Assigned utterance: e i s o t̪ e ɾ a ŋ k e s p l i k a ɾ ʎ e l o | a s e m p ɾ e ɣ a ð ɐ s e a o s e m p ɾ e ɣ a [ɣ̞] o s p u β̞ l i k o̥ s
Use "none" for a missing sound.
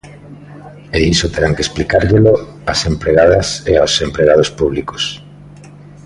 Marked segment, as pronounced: ð̞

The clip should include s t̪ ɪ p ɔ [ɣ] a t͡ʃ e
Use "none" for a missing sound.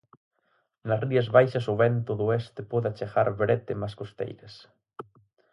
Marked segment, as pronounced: ð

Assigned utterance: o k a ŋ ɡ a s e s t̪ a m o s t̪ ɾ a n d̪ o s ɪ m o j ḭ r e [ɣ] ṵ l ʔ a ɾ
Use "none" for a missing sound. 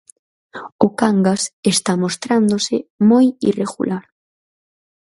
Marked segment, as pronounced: ɣ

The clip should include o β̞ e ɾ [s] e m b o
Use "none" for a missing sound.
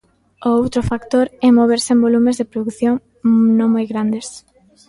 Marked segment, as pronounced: s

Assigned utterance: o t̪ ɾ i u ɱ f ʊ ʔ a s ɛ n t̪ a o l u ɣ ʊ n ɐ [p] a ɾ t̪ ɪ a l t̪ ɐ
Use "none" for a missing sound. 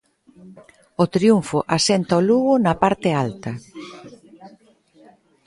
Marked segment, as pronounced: p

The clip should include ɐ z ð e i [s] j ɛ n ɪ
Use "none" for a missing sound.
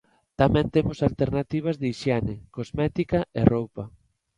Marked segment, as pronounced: ʃ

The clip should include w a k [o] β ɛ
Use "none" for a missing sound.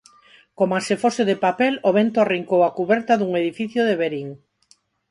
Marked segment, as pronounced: u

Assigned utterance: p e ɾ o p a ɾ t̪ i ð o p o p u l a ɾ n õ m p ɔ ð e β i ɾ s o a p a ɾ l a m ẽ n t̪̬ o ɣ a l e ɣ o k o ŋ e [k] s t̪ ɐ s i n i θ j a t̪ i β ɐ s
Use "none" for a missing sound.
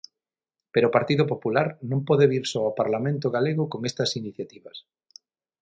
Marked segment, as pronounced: none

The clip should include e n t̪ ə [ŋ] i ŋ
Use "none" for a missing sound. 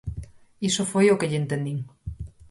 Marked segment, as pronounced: n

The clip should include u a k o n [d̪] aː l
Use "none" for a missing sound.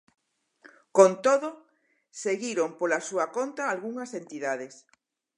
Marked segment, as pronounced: t̪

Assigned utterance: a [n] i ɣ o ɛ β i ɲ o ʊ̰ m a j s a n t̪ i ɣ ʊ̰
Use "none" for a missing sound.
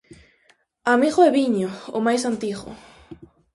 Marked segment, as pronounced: m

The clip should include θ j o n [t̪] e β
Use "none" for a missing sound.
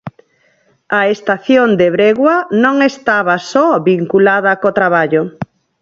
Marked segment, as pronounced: d̪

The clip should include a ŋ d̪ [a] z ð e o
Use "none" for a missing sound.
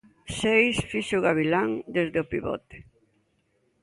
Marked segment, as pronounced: e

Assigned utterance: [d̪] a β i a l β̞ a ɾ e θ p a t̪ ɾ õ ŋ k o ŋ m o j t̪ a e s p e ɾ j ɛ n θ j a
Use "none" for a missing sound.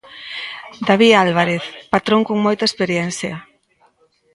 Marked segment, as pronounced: d̪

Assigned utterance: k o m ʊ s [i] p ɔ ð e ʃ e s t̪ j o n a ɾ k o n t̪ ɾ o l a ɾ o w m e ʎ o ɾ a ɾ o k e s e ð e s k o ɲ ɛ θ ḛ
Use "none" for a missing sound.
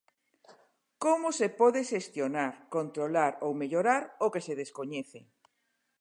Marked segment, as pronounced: e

